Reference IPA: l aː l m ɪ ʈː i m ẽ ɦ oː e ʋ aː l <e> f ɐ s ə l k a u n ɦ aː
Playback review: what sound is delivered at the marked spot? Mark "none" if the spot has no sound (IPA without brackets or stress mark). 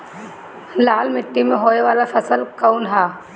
a